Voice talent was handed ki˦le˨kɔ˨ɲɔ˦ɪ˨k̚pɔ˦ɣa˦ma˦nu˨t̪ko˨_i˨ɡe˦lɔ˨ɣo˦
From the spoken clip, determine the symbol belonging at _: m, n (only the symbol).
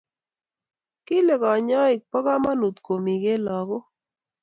m